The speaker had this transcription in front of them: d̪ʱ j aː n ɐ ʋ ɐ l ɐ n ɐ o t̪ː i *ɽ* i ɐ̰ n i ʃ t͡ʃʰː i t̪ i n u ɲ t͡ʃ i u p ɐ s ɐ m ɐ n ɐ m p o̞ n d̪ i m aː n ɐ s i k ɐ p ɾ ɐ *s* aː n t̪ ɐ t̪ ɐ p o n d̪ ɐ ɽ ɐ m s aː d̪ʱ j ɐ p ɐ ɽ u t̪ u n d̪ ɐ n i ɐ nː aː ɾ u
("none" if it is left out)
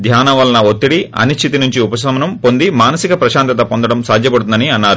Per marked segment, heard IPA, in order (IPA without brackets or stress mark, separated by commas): ɽ, ʃ